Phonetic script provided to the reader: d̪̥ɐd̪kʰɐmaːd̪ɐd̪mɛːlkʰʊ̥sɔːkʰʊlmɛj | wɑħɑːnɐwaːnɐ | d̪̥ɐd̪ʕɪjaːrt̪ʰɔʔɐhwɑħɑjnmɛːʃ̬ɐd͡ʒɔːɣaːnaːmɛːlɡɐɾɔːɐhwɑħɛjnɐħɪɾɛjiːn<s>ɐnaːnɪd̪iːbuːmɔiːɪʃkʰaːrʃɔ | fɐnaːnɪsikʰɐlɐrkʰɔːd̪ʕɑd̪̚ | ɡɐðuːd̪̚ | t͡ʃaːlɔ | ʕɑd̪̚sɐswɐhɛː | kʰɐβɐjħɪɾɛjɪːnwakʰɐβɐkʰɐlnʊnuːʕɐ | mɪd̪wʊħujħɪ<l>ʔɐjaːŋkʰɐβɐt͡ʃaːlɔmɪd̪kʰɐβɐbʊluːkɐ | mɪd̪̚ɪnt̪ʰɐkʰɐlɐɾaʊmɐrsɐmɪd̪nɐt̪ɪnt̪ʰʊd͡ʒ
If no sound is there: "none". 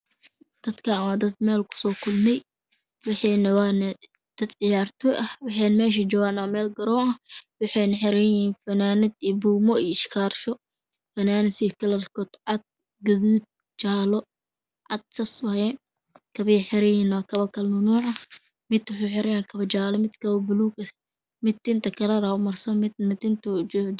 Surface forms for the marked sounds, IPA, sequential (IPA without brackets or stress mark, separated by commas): f, ɾ